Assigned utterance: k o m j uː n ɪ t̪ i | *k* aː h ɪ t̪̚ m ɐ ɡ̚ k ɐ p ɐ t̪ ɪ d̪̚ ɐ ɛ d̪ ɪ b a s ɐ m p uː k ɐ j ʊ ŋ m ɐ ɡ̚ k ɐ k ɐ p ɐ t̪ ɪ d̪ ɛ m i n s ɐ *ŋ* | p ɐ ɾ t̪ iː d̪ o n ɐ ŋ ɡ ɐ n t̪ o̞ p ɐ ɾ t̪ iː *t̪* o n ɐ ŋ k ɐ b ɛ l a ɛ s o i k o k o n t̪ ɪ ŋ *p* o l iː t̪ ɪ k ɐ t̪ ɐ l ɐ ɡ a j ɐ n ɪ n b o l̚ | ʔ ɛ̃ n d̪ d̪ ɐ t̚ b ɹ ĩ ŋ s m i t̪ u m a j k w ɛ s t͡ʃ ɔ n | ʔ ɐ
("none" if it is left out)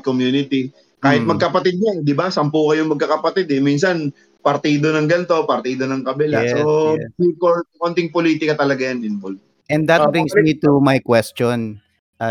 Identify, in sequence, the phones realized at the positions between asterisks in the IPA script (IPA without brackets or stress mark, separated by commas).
k, n, d̪, p